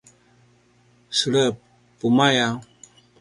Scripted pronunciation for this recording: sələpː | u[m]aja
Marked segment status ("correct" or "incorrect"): correct